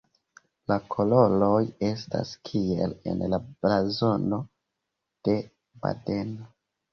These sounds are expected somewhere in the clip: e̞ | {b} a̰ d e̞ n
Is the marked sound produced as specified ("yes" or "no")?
yes